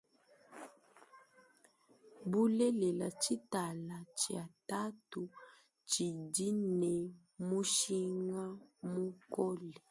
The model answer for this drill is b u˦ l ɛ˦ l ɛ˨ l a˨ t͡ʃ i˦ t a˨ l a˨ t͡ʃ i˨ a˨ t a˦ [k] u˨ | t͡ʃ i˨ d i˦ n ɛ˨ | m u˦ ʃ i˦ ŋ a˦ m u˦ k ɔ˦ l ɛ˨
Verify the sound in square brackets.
incorrect: t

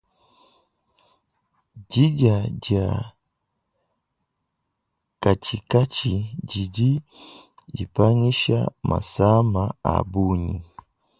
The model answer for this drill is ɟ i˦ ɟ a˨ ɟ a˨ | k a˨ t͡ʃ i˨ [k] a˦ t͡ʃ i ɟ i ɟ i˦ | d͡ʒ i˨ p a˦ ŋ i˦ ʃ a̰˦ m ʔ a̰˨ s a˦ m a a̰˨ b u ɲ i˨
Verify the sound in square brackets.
correct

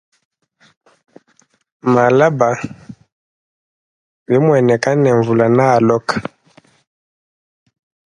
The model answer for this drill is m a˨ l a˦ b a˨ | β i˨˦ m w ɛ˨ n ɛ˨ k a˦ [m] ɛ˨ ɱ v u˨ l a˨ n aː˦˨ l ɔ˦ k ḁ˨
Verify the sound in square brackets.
incorrect: n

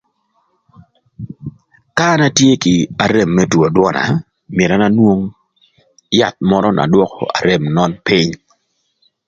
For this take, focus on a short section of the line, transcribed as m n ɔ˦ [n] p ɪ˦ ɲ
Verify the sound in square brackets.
correct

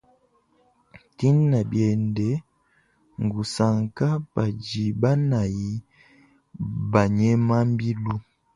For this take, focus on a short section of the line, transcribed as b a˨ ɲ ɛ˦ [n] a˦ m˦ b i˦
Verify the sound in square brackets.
incorrect: m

